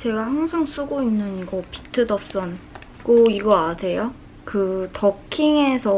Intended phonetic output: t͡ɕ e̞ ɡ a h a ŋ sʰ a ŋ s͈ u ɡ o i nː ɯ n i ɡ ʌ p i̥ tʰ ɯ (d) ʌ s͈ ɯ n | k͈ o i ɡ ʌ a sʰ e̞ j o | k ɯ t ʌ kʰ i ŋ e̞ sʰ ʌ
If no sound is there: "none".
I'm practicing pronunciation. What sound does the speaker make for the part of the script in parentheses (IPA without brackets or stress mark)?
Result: d